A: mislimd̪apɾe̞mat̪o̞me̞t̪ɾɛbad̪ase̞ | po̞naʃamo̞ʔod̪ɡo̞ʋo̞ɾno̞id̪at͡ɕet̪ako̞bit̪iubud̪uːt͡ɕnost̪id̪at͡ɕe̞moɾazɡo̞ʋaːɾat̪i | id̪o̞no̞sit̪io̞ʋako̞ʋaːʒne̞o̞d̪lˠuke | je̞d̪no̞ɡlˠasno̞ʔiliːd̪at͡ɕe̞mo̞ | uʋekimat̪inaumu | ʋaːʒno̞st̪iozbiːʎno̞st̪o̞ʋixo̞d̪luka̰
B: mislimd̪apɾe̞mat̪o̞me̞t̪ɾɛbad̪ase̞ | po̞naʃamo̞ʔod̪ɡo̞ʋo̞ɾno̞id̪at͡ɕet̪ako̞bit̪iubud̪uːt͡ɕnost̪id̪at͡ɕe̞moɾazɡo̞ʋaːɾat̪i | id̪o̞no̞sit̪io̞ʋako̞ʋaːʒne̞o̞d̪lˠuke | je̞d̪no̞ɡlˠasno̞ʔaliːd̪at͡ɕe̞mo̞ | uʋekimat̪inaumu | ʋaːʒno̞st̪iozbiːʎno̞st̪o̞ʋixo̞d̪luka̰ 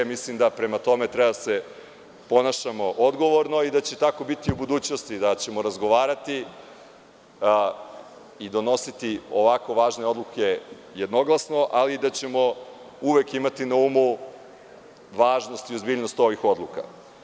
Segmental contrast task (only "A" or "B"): B